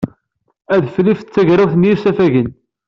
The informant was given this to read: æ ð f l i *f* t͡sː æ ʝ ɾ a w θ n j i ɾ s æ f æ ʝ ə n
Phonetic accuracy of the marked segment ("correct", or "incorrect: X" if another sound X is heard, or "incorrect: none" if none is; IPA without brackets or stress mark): correct